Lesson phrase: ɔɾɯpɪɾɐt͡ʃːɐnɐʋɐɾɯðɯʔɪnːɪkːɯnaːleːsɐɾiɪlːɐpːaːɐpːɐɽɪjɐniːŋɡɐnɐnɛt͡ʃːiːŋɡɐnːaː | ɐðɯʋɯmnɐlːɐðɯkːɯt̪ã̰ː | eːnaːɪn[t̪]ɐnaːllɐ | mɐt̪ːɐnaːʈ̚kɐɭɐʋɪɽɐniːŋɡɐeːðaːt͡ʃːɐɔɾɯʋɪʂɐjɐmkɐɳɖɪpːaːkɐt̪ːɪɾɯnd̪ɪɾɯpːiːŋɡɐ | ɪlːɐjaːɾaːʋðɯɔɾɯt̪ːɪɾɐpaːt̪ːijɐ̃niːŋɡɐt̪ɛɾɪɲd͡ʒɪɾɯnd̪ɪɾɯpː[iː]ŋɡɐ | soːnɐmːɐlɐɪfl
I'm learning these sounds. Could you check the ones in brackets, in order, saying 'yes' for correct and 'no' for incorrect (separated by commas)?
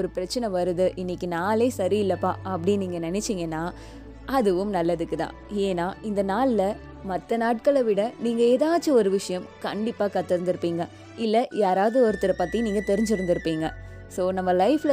no, yes